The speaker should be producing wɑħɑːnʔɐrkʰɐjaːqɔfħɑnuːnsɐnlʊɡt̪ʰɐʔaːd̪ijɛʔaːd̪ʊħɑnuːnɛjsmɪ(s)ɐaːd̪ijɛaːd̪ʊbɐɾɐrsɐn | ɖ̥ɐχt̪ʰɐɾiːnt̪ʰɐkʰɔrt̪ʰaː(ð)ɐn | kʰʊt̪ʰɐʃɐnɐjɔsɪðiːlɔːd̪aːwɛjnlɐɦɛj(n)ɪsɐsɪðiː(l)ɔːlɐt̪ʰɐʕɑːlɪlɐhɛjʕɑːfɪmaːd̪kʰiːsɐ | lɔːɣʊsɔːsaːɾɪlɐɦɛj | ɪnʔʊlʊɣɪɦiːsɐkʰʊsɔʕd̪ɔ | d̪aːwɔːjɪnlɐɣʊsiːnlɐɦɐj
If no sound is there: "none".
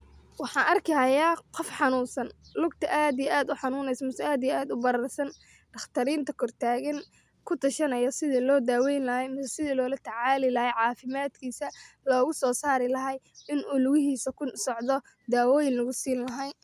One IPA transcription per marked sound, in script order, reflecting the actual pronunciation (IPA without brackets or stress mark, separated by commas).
s, ɣ, m, l